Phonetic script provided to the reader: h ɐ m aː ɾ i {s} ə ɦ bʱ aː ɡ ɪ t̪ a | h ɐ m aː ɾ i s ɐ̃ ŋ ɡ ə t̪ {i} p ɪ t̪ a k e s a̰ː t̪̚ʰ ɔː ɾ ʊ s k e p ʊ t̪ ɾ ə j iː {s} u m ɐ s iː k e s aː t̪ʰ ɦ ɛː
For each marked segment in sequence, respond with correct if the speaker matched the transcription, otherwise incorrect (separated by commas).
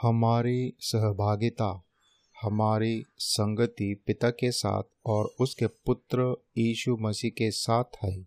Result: correct, correct, incorrect